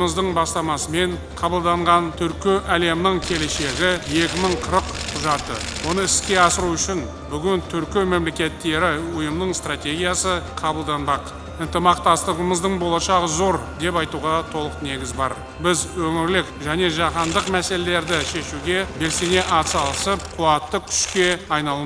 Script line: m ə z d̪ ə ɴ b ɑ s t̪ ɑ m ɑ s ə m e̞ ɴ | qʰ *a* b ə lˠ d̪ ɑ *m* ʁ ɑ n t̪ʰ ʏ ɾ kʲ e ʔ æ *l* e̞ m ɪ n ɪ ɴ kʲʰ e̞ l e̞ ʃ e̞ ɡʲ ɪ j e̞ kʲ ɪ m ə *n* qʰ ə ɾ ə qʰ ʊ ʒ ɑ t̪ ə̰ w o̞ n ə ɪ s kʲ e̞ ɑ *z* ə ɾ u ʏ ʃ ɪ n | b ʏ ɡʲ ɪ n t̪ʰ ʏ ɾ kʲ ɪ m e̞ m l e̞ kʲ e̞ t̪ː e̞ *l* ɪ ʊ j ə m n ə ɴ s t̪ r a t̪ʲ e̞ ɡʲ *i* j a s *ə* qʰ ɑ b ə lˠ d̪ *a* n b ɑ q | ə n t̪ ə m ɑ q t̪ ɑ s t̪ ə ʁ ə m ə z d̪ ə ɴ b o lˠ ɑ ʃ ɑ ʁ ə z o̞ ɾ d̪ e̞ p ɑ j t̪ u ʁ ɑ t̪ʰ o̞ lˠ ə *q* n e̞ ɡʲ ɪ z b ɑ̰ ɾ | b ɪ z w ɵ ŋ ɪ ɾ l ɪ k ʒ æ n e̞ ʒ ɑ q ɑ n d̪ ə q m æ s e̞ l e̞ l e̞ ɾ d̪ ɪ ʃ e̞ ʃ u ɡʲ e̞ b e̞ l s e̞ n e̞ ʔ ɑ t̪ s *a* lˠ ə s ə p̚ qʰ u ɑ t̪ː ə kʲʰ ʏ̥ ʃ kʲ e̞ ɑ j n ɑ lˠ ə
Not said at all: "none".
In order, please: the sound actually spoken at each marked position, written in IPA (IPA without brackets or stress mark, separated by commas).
ɑ, ɴ, l, ɴ, s, ɾ, i, ə, ɑ, q, ɑ